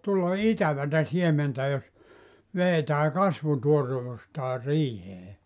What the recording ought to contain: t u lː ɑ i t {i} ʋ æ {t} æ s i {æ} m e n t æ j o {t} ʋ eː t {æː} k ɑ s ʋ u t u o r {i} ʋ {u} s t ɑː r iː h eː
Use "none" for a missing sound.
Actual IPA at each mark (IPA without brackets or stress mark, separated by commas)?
æ, t, e, s, æː, e, u